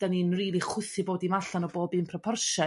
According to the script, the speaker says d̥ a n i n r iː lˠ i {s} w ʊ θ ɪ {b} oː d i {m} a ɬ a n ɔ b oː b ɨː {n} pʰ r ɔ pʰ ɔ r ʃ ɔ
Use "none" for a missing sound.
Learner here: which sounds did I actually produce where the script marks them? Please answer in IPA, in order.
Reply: χ, b, m, n

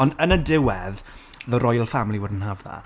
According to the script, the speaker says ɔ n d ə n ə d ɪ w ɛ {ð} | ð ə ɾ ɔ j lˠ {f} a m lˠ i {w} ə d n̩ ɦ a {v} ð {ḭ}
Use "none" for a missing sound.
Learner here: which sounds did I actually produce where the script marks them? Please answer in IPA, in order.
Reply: ð, f, w, v, a̰

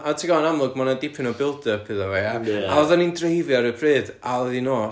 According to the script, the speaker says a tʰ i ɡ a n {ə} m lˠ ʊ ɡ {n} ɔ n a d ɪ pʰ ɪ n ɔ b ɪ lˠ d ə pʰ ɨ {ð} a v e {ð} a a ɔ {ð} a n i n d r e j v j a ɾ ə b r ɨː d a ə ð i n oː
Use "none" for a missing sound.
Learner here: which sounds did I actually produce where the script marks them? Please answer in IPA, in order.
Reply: a, m, ð, none, ð

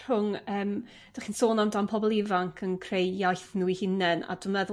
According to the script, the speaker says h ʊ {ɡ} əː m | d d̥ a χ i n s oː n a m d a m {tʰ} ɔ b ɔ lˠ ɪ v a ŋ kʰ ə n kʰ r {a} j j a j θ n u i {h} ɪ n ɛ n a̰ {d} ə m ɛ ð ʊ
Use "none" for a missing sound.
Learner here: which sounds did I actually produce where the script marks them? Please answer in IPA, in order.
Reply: ŋ, pʰ, e, h, d

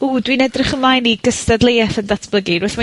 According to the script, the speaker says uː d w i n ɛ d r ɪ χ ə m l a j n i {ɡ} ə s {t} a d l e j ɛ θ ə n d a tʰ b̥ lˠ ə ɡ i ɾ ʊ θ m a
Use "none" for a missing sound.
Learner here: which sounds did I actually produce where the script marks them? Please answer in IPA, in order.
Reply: ɡ, t

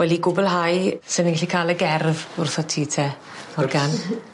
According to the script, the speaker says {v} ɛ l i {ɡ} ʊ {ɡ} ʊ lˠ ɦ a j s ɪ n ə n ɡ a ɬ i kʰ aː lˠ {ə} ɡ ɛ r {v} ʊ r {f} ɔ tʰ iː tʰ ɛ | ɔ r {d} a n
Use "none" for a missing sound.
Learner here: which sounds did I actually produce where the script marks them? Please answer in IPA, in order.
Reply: w, ɡ, b, ə, v, θ, ɡ

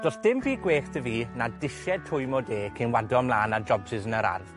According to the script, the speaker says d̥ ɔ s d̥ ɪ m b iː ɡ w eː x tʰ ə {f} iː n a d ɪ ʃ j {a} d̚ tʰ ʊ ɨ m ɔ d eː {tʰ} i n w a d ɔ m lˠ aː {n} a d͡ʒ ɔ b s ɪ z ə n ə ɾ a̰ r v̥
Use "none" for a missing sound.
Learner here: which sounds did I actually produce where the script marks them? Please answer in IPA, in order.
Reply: v, ɛ, kʰ, n

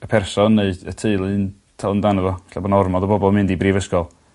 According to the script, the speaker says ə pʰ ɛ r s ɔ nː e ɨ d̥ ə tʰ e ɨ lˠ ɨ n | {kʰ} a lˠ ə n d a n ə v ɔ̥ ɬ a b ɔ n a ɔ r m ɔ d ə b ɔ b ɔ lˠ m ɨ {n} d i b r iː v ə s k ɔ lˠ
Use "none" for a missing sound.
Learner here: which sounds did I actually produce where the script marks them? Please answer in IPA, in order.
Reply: tʰ, n

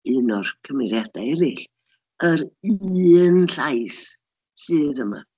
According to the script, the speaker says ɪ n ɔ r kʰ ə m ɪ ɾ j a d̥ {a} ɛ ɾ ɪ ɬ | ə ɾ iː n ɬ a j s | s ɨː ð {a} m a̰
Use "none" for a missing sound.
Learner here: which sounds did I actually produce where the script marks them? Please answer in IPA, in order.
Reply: a, ə

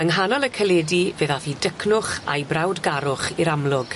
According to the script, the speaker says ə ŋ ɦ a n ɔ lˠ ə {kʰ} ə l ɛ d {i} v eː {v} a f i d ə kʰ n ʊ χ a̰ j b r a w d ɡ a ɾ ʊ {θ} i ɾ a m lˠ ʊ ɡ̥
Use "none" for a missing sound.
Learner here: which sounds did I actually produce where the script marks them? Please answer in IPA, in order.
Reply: kʰ, i, ð, χ

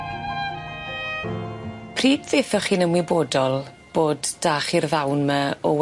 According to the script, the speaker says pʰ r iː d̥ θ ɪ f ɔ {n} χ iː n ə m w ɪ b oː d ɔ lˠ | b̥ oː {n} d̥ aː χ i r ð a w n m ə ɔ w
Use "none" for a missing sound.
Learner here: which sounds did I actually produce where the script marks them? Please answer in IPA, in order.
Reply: none, d

